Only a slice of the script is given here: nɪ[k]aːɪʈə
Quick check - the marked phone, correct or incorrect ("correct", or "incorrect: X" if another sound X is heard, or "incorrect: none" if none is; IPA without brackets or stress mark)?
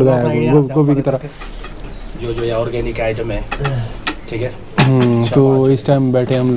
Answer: correct